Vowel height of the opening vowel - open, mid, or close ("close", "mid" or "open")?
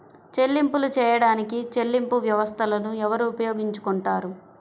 mid